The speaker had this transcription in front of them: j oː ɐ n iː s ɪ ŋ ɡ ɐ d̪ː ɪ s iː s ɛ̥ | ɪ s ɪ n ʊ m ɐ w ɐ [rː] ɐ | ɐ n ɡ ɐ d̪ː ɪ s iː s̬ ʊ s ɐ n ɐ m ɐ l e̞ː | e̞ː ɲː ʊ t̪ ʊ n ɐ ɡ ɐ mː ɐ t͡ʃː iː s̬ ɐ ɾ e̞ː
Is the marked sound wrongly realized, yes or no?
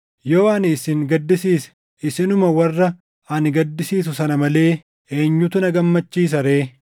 no